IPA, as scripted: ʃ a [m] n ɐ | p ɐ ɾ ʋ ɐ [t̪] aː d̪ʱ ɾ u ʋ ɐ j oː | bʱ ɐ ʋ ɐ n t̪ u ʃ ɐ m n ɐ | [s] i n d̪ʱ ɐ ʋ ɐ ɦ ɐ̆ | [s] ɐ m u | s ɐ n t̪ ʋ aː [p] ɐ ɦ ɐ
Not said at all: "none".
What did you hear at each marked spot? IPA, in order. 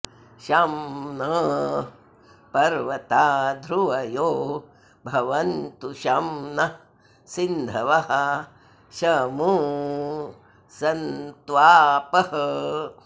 m, t̪, s, ʃ, p

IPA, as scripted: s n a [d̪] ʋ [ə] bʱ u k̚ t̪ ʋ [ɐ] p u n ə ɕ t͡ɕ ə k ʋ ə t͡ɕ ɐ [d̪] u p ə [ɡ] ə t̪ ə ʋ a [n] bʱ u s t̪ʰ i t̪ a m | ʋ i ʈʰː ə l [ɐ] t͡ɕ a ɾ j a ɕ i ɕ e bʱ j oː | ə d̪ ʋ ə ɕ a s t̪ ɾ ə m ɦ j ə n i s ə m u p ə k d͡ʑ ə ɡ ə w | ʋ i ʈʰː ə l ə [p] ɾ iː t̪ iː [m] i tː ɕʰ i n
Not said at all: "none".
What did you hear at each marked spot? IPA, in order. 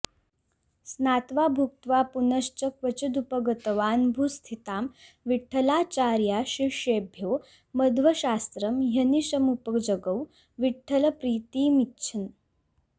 t̪, a, a, d̪, ɡ, n, a, p, m

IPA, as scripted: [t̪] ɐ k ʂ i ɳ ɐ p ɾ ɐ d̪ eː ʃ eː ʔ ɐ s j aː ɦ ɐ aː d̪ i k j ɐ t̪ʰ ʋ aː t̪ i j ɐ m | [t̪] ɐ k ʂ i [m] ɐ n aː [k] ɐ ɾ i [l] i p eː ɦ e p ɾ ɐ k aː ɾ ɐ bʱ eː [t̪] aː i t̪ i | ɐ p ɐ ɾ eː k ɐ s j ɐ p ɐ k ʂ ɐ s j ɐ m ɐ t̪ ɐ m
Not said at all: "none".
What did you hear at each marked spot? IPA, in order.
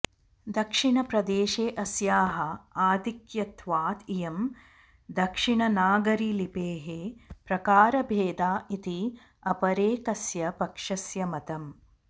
d̪, d̪, ɳ, ɡ, l, d̪

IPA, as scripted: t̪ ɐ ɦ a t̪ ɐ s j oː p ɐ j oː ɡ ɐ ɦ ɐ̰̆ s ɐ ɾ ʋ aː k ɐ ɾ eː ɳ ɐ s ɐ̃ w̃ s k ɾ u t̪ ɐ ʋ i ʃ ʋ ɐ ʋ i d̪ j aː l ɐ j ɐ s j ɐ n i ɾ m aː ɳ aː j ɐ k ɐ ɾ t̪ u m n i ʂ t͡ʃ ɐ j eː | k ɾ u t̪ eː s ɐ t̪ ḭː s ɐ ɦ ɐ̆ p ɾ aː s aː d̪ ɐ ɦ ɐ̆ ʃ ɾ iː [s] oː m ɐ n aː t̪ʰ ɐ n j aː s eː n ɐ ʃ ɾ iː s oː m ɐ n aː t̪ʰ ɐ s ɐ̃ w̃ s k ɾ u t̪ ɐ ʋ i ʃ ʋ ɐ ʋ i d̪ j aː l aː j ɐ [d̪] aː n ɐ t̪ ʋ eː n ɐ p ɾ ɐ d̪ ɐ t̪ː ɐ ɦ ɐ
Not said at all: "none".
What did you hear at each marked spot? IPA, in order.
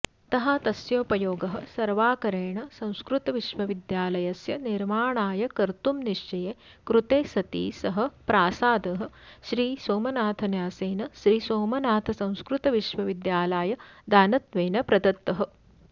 s, d̪

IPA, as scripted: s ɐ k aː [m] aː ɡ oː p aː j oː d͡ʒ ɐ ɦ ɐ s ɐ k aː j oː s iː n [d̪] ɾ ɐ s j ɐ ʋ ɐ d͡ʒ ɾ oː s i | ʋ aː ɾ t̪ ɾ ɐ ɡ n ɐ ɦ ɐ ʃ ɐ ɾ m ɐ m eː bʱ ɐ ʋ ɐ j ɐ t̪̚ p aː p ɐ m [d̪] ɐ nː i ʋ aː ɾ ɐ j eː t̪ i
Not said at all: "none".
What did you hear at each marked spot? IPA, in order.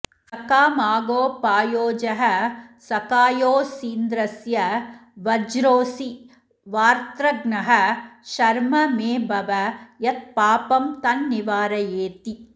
m, d̪, t̪

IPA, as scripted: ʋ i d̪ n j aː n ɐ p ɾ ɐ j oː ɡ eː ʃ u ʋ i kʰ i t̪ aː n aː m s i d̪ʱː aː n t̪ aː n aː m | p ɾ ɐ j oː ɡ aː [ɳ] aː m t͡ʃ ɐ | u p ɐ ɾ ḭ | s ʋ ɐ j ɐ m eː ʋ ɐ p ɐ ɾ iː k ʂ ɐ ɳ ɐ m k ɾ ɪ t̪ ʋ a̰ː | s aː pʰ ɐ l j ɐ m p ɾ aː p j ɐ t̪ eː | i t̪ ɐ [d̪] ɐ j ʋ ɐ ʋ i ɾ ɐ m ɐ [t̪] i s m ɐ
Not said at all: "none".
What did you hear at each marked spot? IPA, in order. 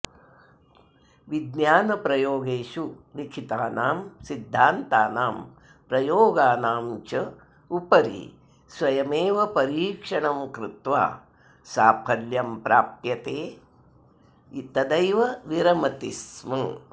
n, d̪, t̪

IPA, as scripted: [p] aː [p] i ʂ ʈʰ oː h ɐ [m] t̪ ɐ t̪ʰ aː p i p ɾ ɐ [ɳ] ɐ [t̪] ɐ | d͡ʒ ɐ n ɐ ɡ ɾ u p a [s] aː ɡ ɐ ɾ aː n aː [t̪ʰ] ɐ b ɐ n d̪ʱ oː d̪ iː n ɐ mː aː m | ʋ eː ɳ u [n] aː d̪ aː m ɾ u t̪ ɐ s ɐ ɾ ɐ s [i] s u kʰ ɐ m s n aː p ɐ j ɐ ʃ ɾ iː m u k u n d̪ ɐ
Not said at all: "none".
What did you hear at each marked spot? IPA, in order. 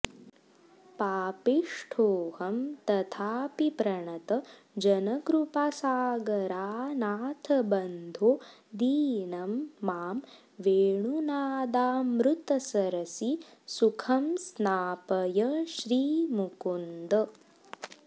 p, p, m, ɳ, t̪, s, t̪ʰ, n, i

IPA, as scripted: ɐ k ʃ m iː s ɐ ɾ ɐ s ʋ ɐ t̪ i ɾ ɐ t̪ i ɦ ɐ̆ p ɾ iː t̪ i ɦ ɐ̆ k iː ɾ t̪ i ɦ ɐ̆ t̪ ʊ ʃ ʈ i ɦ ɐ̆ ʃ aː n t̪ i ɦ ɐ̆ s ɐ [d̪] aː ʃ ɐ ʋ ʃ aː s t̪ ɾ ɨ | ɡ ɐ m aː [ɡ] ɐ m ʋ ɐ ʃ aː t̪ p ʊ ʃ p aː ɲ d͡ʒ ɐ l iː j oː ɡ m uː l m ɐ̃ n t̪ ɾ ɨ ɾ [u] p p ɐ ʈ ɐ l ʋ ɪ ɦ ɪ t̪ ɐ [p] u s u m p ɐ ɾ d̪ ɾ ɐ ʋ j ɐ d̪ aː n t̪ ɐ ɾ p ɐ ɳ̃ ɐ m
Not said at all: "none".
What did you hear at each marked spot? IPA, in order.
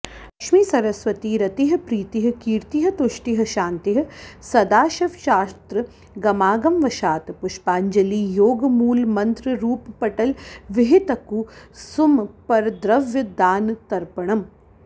d̪, ɡ, uː, k

